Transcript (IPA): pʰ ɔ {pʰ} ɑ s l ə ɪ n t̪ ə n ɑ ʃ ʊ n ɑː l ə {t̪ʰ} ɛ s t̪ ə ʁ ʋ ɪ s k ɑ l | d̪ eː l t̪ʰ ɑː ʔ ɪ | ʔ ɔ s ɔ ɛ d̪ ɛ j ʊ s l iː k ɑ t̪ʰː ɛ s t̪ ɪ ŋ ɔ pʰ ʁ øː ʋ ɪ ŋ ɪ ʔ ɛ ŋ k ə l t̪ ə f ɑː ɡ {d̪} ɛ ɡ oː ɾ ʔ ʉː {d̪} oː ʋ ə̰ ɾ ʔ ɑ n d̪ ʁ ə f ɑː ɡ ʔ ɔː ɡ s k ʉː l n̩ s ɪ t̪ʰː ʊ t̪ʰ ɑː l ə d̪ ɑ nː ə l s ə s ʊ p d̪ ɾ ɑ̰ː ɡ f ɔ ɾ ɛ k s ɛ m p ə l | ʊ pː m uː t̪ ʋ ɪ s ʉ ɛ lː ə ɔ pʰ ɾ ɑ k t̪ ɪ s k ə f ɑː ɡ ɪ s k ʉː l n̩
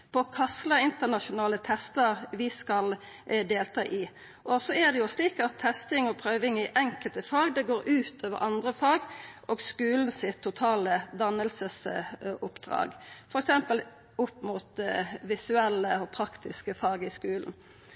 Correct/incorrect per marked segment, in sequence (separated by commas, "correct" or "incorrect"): incorrect, correct, correct, incorrect